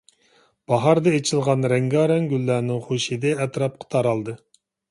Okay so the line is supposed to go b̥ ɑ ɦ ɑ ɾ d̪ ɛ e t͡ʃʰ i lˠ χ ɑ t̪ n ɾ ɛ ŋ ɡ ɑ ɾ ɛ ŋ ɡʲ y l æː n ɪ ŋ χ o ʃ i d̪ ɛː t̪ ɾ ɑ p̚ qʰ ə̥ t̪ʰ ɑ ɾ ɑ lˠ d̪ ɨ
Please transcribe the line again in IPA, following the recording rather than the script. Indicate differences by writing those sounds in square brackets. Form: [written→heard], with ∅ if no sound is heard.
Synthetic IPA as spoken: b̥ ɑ ɦ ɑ ɾ d̪ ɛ e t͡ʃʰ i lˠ [χ→ʁ] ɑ [t̪→∅] n ɾ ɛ ŋ ɡ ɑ ɾ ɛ ŋ ɡʲ y [l→lː] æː n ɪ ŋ χ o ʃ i d̪ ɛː t̪ ɾ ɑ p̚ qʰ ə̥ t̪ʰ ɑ ɾ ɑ lˠ d̪ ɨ